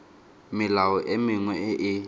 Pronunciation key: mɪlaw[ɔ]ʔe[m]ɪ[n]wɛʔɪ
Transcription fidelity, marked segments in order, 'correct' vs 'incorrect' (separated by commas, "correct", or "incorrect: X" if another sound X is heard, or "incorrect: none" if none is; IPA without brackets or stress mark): correct, correct, incorrect: ŋ